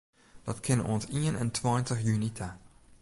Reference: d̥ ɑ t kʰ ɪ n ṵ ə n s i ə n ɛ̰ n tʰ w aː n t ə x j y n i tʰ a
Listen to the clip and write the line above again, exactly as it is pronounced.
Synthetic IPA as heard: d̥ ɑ t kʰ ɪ n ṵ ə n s i ə n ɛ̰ n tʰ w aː n t ə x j y n i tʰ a